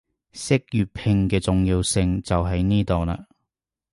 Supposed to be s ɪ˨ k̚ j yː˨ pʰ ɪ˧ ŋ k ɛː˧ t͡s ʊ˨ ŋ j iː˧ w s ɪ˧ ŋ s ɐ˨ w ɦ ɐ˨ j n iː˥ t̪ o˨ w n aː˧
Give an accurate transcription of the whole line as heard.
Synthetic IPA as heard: s ɪ˥ k̚ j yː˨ pʰ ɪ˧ ŋ k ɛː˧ t͡s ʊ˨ ŋ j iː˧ w s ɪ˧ ŋ t͡s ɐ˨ w ɦ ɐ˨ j n iː˥ t̪ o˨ w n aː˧